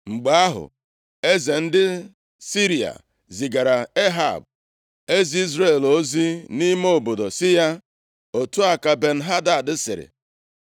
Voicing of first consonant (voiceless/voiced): voiced